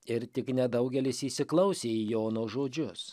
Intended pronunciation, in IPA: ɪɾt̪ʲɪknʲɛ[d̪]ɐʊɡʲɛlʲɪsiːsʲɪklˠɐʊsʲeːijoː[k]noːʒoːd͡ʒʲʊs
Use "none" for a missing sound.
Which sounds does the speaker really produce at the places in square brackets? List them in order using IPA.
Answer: d̪, none

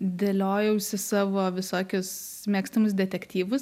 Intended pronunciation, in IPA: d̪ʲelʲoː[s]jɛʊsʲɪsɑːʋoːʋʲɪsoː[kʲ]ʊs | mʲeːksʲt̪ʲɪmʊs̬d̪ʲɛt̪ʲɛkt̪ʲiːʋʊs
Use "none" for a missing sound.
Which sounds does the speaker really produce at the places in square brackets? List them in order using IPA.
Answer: none, kʲ

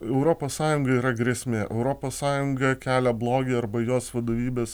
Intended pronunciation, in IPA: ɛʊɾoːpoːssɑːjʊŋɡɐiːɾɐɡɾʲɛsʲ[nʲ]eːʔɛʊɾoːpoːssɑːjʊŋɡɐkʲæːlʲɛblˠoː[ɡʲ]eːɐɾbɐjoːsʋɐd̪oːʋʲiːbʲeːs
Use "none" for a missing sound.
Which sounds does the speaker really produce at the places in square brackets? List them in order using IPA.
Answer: mʲ, ɡʲ

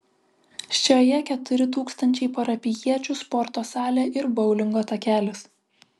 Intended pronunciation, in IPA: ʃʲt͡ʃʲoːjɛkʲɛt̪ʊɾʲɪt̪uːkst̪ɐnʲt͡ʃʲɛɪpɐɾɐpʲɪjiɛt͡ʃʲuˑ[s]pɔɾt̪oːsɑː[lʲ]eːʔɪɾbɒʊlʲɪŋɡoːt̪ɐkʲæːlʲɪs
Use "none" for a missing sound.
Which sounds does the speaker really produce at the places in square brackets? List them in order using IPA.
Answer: s, lʲ

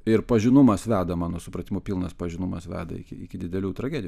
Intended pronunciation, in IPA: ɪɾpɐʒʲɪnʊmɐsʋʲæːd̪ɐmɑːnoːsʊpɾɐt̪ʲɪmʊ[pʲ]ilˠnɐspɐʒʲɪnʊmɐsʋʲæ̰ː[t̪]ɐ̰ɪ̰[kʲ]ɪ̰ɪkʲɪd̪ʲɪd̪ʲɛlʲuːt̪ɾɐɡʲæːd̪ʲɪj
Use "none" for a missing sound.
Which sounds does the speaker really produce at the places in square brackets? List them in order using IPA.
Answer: pʲ, d̪, kʲ

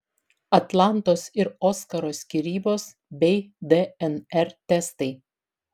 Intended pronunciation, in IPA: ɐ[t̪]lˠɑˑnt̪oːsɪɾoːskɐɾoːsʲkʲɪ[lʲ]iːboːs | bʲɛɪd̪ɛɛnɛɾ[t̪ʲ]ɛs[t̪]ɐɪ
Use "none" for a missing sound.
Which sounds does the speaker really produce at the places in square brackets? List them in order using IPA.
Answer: t̪, ɾʲ, t̪ʲ, t̪

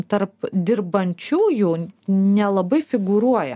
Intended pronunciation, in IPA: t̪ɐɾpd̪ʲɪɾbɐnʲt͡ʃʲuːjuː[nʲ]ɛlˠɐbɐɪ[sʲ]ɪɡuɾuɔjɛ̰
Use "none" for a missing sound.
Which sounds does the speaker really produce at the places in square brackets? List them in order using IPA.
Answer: nʲ, fʲ

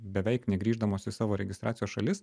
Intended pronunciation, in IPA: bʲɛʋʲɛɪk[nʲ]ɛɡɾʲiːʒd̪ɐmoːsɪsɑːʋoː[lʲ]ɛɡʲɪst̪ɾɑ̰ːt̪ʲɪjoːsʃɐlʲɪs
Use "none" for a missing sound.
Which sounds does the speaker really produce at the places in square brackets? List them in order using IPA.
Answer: nʲ, ɾʲ

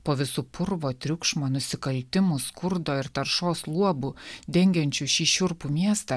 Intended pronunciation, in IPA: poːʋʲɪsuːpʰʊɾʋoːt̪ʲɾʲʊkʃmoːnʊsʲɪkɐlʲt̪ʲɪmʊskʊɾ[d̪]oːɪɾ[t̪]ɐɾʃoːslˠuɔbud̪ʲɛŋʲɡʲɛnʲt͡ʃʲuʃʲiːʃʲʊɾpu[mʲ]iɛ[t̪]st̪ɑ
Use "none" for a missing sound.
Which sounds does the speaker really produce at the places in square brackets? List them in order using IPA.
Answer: d̪, t̪, mʲ, none

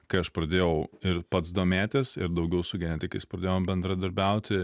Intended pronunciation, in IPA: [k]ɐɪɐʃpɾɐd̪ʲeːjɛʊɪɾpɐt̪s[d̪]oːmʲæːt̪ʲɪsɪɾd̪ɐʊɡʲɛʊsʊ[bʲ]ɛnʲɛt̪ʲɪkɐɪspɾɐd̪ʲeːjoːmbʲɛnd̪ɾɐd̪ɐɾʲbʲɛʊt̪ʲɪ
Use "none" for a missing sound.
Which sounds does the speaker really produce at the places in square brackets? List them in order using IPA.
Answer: k, d̪, ɡʲ

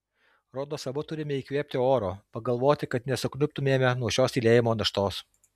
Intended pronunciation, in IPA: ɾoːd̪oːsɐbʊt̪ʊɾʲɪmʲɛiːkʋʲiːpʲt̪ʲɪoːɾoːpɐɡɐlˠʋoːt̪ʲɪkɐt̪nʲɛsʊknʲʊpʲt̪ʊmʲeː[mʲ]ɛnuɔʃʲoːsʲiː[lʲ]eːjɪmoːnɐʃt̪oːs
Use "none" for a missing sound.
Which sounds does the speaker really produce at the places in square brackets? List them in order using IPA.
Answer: mʲ, lʲ

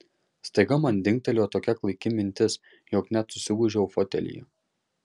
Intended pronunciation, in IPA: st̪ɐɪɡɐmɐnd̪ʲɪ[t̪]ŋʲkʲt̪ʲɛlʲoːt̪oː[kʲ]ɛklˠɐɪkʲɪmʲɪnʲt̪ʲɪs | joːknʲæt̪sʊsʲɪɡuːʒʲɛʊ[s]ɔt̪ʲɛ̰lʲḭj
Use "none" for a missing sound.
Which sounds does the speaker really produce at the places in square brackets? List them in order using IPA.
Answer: none, kʲ, f

